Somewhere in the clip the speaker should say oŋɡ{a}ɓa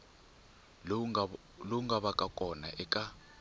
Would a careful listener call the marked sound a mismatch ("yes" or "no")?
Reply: no